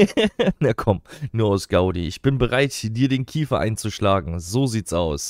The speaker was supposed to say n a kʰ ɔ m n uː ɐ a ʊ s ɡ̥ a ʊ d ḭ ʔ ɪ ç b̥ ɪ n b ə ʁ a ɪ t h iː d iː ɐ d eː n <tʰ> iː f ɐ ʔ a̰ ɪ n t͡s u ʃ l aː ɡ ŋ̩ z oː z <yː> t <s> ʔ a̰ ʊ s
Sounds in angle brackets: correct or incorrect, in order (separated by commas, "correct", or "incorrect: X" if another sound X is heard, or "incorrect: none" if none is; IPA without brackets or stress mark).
incorrect: kʰ, incorrect: iː, correct